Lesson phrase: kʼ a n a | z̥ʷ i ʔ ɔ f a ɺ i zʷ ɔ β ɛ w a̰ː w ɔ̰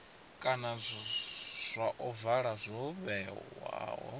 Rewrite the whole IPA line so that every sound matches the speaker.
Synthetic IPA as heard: kʼ a n a | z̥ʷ a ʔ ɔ v a ɺ a zʷ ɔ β ɛ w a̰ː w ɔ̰